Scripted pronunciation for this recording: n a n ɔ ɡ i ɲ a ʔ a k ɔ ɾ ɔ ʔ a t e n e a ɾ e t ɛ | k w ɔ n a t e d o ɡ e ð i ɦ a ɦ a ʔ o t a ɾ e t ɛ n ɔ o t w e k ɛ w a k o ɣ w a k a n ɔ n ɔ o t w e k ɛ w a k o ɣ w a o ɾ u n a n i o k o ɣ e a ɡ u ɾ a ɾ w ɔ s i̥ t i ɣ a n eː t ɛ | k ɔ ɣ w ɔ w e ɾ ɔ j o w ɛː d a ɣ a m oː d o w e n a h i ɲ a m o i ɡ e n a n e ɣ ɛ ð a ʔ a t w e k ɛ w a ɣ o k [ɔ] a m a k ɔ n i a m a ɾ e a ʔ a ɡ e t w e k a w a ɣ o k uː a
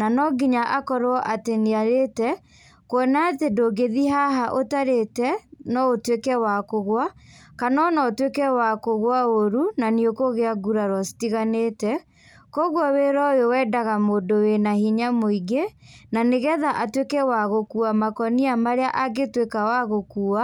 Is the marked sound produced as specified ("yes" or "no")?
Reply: no